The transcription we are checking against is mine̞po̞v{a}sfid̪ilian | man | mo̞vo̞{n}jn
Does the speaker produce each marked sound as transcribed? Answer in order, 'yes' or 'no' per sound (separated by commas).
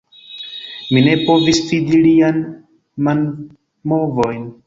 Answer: no, no